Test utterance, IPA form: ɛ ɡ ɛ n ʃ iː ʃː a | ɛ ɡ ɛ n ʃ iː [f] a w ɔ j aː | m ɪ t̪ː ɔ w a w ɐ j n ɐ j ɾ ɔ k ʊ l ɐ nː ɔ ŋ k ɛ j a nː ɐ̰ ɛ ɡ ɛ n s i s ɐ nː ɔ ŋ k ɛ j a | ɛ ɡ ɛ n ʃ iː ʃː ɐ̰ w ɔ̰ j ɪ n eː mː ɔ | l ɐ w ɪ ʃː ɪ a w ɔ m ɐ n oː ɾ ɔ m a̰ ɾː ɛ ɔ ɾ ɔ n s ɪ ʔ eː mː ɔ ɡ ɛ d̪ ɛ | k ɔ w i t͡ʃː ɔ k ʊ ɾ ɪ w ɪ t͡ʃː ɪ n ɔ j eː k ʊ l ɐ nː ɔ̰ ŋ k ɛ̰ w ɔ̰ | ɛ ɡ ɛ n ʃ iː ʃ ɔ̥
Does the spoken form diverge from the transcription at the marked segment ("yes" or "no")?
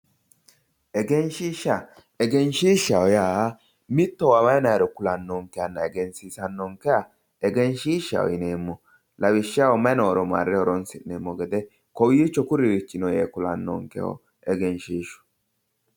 yes